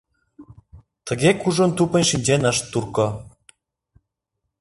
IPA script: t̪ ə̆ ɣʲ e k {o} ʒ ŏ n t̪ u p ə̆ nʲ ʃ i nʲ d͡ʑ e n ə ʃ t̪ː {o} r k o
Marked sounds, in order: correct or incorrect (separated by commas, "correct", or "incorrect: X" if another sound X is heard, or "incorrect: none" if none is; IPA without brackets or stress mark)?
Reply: incorrect: u, incorrect: u